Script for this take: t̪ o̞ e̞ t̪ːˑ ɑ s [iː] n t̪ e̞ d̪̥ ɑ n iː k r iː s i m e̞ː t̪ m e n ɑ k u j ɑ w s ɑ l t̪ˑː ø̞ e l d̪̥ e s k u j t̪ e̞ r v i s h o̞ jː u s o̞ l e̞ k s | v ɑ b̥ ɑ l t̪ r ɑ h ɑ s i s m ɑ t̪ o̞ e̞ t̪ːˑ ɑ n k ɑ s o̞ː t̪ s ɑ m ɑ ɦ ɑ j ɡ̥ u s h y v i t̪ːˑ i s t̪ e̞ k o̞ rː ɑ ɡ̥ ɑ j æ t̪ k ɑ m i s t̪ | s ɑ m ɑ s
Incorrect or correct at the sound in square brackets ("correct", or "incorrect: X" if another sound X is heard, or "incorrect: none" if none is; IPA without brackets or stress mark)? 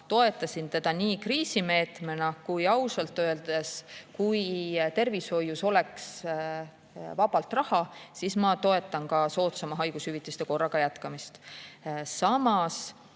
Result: incorrect: i